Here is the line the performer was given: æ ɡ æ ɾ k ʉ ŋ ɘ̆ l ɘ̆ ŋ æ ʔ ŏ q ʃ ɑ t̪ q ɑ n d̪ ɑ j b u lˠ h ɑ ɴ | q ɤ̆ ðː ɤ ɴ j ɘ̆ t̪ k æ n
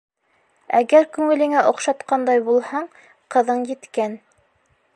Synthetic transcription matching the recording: æ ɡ æ ɾ k ʉ ŋ ɘ̆ l ɘ̆ ŋ æ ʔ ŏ q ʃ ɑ t̪ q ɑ n d̪ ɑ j b u lˠ h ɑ ɴ | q ɤ̆ ð ɤ ɴ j ɘ̆ t̪ k æ n